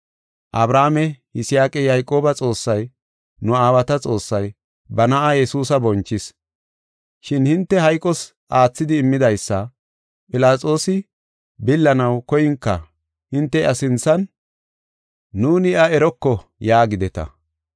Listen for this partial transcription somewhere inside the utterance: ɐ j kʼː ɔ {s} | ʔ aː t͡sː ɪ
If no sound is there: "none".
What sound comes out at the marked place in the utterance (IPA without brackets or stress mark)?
s